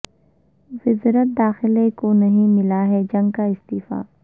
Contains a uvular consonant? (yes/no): no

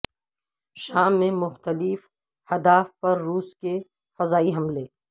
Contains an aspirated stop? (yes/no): no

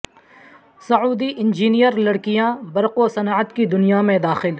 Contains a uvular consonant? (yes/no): yes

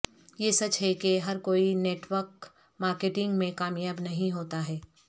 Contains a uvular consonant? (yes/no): no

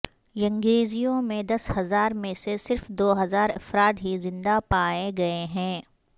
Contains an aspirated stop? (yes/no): no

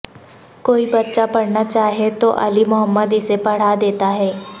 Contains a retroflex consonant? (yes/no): yes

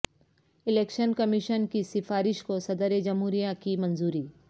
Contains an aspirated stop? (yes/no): no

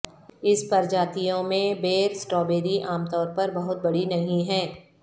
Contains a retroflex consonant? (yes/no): yes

